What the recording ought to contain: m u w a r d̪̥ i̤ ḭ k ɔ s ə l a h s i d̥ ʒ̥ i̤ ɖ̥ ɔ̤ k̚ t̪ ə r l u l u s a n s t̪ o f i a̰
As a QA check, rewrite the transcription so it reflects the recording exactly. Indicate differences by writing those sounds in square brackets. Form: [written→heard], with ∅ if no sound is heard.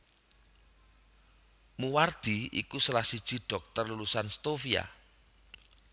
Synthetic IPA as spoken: m u w a r d̪̥ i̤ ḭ k [ɔ→u] s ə l a h s i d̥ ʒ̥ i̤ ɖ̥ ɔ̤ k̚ t̪ ə r l u l u s a n s t̪ o f i a̰